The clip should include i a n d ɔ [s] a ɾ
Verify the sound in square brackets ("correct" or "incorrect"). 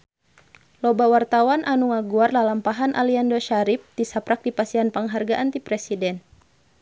incorrect